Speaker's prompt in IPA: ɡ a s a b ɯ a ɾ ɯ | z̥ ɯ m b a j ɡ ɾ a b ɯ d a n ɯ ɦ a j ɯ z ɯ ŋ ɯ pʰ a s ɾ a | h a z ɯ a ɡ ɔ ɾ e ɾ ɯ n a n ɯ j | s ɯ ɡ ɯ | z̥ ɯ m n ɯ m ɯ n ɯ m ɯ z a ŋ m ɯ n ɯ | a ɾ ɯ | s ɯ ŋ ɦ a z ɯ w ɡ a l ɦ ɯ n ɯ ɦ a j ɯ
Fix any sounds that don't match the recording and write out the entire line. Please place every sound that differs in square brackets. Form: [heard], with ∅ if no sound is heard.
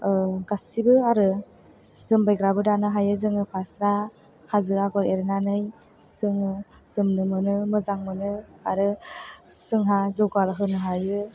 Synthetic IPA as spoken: ɡ a s [i] b ɯ a ɾ ɯ | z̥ ɯ m b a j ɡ ɾ a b ɯ d a n ɯ ɦ a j ɯ z ɯ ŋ ɯ pʰ a s ɾ a | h a z ɯ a ɡ ɔ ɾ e ɾ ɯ n a n ɯ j | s ɯ [ŋ] ɯ | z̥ ɯ m n ɯ m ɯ n ɯ m ɯ z a ŋ m ɯ n ɯ | a ɾ ɯ | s ɯ ŋ ɦ a z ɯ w ɡ a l ɦ ɯ n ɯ ɦ a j ɯ